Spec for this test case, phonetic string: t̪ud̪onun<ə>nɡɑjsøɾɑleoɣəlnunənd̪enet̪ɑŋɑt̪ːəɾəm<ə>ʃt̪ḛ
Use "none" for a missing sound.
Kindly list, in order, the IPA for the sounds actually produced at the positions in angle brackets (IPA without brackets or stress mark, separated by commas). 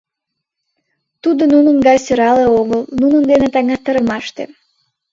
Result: ə, ɑ